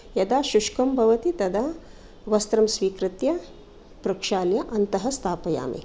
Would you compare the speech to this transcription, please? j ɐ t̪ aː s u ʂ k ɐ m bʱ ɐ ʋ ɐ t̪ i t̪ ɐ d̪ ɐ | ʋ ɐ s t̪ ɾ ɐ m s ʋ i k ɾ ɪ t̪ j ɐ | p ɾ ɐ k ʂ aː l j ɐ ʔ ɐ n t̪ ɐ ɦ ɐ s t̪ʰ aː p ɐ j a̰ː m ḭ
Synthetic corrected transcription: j ɐ d̪ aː ʃ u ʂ k ɐ m bʱ ɐ ʋ ɐ t̪ i t̪ ɐ d̪ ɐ | ʋ ɐ s t̪ ɾ ɐ m s ʋ iː k ɾ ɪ t̪ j ɐ | p ɾ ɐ k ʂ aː l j ɐ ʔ ɐ n t̪ ɐ ɦ ɐ s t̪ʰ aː p ɐ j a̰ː m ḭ